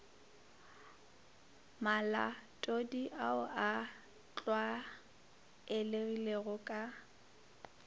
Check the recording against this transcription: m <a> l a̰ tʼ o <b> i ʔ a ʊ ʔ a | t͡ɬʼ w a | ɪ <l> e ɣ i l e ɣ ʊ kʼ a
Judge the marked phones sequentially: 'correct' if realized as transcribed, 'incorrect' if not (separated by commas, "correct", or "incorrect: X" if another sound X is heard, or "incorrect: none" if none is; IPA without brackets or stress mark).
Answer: correct, incorrect: d, correct